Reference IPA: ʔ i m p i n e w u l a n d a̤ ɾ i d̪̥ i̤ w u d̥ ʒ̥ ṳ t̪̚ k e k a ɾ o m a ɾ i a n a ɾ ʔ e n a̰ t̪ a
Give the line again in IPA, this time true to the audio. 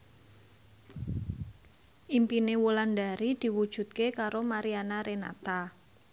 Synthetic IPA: ʔ i m p i n e w u l a n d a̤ ɾ i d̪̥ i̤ w u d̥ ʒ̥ ṳ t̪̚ k e k a ɾ o m a ɾ i a n a ɾ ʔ e n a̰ t̪ a